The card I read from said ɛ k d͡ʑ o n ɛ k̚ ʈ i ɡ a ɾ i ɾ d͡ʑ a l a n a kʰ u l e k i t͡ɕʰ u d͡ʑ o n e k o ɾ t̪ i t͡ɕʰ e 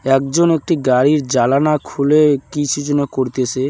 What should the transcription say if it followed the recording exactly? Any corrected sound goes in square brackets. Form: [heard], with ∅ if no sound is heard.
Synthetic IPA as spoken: ɛ k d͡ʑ o n [e] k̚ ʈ i ɡ a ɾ i ɾ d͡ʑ a l a n a kʰ u l e k i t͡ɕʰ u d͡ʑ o n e k o ɾ t̪ [e] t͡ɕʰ e